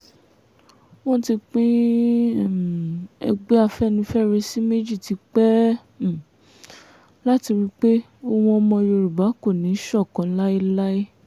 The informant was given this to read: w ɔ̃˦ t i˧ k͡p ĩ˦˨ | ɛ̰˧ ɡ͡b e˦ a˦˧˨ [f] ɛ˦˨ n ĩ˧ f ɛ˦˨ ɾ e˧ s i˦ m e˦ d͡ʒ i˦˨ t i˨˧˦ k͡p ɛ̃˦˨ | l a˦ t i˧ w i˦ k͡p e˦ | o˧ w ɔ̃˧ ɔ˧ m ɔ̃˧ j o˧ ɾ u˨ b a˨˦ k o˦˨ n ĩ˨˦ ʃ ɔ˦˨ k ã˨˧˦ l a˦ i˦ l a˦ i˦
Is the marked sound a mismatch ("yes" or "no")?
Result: no